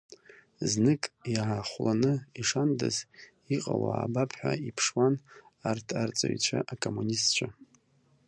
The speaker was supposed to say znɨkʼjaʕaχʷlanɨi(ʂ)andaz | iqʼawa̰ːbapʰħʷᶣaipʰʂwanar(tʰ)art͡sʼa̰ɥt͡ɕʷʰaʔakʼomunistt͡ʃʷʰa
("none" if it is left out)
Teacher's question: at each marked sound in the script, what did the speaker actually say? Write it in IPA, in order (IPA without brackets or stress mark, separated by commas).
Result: ʂ, tʰ